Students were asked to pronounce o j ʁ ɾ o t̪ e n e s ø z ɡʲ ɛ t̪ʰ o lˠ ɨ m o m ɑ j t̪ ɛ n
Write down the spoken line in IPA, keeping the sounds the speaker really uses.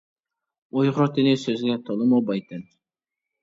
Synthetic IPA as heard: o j ʁ ɾ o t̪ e n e s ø z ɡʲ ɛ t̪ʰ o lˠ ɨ m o b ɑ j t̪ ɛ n